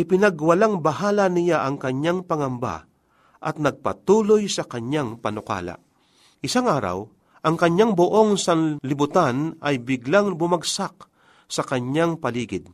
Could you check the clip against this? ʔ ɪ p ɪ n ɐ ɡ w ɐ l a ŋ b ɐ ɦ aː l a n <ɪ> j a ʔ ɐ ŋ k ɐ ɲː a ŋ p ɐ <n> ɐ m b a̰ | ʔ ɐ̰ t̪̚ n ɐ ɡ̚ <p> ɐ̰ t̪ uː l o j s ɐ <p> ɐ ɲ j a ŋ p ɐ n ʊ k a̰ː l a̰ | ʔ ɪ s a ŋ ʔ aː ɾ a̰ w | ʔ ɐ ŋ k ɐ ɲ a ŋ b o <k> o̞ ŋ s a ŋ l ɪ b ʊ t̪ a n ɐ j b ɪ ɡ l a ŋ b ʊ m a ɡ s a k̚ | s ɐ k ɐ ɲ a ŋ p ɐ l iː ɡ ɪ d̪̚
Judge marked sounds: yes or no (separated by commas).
yes, no, yes, no, no